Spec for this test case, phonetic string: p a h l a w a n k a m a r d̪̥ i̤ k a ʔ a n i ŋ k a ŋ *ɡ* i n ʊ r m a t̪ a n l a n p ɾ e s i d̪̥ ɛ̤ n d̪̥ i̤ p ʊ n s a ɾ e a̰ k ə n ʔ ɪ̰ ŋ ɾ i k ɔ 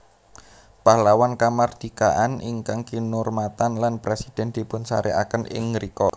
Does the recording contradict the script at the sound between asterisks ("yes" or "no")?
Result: yes